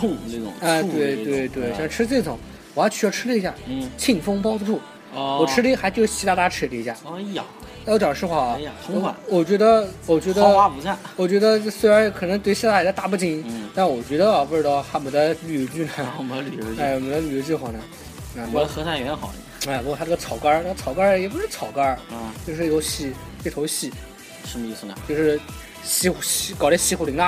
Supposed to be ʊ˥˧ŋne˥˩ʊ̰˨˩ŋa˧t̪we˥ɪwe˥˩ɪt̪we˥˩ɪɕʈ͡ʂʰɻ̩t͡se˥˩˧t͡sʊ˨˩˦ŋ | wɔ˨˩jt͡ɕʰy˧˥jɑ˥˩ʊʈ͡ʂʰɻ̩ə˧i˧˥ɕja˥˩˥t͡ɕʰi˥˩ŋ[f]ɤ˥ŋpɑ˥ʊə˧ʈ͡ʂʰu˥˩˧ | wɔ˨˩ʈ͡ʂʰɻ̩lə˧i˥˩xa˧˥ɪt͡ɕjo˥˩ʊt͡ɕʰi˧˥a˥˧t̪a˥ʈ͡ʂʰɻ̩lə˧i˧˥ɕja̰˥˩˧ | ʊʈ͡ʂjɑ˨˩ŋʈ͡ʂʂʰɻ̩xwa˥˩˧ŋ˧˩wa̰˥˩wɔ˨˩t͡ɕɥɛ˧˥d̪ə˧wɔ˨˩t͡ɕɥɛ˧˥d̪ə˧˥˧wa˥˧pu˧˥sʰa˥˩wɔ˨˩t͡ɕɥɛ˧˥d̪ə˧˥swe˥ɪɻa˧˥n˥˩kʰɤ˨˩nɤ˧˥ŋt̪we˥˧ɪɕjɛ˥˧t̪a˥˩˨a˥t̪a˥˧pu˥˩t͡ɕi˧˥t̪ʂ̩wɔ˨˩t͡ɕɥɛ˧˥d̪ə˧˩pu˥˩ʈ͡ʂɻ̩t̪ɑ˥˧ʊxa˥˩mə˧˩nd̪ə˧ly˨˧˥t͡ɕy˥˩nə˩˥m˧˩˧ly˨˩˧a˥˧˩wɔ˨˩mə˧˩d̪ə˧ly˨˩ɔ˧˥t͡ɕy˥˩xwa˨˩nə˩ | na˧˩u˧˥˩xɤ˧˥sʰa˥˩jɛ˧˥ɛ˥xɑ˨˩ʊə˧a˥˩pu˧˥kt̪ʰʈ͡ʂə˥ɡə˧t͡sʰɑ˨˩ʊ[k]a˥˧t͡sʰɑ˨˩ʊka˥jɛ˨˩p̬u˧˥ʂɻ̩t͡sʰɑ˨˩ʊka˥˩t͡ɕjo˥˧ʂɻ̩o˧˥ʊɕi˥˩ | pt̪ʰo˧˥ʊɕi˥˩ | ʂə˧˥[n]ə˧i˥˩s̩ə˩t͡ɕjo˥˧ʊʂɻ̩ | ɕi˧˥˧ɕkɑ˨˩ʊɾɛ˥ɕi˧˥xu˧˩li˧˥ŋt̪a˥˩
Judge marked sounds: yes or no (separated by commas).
yes, yes, no